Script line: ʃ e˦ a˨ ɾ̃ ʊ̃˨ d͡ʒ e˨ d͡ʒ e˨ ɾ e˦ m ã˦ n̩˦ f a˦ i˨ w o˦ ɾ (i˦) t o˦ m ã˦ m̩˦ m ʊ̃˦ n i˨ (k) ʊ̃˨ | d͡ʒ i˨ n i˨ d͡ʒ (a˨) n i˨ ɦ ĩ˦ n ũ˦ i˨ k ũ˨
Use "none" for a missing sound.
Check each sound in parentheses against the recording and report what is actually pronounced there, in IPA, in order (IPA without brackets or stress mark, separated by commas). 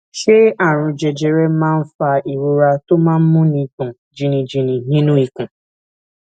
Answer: a˦, k, i˨